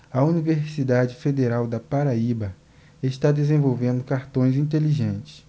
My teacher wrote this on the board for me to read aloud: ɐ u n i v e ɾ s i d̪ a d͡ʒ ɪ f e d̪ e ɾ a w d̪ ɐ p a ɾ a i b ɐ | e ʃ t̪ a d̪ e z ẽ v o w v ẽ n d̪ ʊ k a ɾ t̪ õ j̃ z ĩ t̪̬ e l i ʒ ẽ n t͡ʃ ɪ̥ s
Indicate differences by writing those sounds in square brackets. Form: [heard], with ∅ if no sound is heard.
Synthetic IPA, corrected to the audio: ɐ u n i v e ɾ s i d̪ a d͡ʒ ɪ f e d̪ e ɾ a w d̪ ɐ p a ɾ a i b ɐ | e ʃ t̪ a d̪ e z ẽ v o w v ẽ n d̪ ʊ k a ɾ t̪ õ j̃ z ĩ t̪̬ e l i ʒ ẽ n t͡ʃ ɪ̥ s